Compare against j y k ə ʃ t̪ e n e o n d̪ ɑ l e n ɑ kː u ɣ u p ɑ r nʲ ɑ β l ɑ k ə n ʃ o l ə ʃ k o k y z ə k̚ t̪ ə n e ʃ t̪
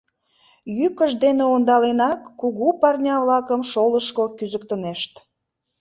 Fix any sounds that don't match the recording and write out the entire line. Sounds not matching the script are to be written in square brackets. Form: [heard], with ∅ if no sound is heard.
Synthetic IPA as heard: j y k ə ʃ [d̪] e n e o n d̪ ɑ l e n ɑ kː u ɣ u p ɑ r nʲ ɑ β l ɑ k ə [m] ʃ o l ə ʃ k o k y z ə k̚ t̪ ə n e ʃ t̪